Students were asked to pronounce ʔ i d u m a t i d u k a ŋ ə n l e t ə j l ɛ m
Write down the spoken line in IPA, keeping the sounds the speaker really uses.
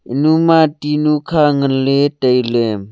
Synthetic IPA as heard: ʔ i n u m a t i n u kʰ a ŋ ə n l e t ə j l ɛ m